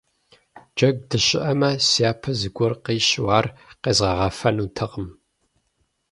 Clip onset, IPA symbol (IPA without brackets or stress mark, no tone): d͡ʒ